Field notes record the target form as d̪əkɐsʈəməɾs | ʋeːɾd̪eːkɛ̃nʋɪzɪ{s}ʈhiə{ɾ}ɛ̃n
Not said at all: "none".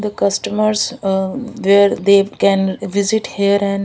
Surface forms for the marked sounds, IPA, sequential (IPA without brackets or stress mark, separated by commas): none, ɾ